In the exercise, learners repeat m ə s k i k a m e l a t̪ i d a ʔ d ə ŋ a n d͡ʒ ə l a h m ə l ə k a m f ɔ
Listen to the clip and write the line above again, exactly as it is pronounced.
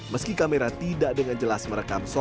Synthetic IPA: m ə s k i k a m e ɾ a t̪ i d a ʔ d ə ŋ a n d͡ʒ ə l a s m ə ɾ ə k a m s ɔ